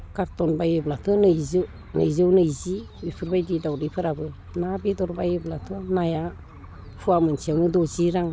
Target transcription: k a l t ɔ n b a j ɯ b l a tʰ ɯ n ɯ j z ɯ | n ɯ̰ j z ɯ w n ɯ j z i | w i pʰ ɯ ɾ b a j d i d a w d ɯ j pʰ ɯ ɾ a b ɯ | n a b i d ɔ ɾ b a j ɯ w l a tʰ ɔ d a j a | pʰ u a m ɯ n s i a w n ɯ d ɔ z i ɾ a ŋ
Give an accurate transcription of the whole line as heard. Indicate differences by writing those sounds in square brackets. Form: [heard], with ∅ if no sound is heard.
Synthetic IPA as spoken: k a [ɾ] t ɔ n b a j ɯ b l a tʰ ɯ n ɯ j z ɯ | n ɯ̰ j z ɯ w n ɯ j z i | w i pʰ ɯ ɾ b a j d i d a w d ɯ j pʰ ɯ ɾ a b ɯ | n a b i d ɔ ɾ b a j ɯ [b] l a tʰ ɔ [n] a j a | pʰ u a m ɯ n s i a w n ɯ d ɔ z i ɾ a ŋ